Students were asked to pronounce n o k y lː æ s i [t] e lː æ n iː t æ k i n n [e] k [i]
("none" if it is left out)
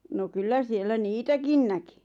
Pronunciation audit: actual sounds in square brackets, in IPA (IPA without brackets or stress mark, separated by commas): none, æ, i